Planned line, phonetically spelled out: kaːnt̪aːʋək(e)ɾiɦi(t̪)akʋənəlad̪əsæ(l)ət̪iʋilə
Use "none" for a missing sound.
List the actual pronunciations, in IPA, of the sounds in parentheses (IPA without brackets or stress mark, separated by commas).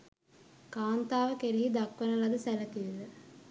e, d̪, l